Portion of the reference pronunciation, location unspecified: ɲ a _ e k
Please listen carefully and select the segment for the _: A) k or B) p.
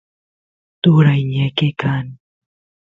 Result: A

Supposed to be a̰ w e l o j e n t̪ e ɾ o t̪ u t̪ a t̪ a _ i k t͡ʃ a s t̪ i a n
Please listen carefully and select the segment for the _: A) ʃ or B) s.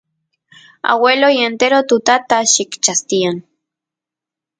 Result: A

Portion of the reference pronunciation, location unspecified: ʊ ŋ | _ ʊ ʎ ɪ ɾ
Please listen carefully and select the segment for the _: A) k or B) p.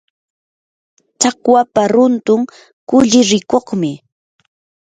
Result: A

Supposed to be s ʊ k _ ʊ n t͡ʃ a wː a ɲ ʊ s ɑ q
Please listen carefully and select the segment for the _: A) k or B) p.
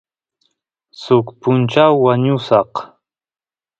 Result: B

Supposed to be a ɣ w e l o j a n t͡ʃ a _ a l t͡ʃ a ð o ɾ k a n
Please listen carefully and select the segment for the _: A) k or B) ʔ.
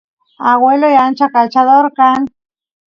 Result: A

